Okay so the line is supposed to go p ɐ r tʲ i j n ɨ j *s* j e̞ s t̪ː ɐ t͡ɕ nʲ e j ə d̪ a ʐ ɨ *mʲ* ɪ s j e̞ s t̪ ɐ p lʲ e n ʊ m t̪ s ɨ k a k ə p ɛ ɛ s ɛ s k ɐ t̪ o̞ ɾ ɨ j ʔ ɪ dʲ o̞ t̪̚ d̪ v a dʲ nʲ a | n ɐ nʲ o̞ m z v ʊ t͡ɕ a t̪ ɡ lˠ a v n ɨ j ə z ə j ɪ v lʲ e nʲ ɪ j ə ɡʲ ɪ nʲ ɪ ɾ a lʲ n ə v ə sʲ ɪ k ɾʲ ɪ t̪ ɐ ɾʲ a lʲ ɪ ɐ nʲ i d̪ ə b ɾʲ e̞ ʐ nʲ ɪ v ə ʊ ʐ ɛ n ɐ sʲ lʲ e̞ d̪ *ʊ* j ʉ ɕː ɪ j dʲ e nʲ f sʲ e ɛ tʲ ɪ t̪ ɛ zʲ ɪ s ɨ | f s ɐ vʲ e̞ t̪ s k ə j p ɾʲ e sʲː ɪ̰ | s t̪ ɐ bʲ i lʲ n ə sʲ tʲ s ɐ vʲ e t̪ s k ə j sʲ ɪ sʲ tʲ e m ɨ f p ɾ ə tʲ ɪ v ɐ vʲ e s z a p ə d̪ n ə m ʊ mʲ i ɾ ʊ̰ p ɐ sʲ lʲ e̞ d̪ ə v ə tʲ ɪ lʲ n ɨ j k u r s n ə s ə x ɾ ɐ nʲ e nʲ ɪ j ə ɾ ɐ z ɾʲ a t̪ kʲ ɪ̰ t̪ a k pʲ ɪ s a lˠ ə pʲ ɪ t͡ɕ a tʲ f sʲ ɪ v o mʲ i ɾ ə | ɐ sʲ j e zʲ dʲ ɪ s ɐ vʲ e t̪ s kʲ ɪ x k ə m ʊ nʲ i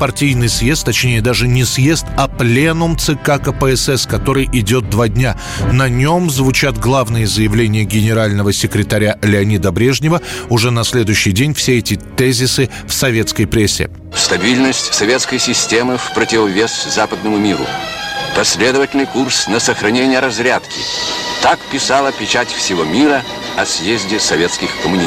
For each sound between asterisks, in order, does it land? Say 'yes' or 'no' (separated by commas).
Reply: yes, no, yes